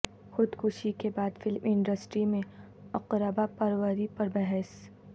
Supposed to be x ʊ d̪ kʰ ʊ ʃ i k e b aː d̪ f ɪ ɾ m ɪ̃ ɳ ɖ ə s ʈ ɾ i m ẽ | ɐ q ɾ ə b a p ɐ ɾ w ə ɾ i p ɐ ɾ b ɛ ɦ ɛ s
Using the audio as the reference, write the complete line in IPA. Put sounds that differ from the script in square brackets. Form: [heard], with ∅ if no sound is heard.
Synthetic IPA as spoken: x ʊ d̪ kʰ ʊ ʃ i k e b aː d̪ f ɪ [l] m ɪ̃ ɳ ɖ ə s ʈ ɾ i m ẽ | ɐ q ɾ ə b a p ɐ ɾ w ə ɾ i p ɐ ɾ b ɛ ɦ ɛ s